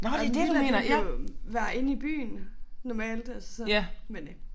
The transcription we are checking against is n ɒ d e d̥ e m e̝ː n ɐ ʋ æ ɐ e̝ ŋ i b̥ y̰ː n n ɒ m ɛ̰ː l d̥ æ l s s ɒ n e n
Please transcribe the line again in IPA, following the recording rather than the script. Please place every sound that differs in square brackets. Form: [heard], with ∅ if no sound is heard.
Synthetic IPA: n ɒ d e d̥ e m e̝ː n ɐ ʋ æ ɐ e̝ [n] i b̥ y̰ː n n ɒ m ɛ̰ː l d̥ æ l s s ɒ [m] e n